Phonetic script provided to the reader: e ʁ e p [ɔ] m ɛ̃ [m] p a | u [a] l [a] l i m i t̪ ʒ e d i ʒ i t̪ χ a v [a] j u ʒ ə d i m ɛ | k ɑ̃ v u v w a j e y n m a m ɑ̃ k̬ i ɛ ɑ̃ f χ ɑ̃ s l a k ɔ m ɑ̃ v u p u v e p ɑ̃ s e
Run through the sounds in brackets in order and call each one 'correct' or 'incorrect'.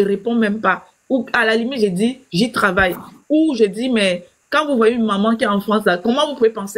incorrect: ɔ̃, correct, correct, correct, correct

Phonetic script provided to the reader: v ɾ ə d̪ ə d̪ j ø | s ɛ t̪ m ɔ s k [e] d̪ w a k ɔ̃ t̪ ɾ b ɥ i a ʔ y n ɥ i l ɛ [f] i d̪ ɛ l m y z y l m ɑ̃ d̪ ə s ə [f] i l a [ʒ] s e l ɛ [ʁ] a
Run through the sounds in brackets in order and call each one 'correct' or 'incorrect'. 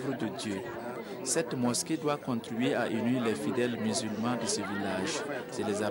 correct, correct, incorrect: v, correct, incorrect: z

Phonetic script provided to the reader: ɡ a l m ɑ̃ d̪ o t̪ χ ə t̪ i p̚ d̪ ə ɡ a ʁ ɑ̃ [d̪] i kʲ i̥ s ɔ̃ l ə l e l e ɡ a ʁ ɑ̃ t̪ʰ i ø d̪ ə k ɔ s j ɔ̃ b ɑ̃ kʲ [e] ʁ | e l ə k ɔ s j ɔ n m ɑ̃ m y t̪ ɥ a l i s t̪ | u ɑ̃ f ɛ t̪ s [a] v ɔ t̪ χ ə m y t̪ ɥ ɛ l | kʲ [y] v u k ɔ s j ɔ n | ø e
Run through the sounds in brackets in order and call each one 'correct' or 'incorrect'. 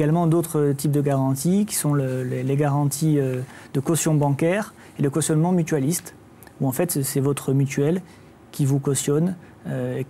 incorrect: t̪, incorrect: ɛ, incorrect: ɛ, incorrect: i

